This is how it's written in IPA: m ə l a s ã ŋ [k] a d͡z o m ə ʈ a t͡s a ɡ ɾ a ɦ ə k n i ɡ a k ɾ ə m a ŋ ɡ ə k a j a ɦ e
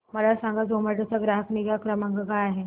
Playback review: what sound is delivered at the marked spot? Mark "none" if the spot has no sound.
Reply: ɡ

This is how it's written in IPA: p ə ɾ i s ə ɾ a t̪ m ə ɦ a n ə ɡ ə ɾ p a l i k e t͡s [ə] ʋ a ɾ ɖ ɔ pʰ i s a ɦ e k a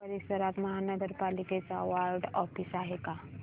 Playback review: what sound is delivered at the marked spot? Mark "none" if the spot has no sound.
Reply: a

